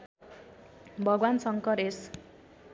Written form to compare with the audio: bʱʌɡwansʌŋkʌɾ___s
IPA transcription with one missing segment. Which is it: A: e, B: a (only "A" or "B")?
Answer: A